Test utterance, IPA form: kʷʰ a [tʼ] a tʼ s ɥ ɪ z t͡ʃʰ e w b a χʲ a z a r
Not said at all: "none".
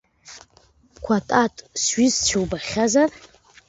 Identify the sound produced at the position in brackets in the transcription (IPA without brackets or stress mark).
tʼ